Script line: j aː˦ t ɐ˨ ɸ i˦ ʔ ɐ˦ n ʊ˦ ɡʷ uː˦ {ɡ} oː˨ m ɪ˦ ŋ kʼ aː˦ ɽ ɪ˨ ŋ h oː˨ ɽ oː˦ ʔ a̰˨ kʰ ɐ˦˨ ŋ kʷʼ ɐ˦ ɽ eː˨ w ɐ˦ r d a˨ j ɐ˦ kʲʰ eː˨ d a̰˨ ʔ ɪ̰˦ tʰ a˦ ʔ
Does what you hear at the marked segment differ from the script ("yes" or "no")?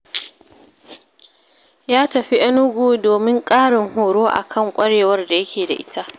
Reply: yes